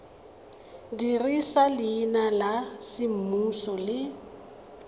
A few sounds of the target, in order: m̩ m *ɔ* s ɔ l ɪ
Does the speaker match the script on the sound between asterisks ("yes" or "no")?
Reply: no